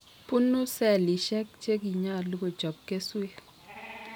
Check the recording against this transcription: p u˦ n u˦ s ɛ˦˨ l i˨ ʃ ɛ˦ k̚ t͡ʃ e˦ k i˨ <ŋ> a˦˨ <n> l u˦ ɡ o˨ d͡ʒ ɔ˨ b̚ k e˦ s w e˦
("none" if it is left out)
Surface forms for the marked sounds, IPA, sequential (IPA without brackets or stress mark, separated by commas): ɲ, none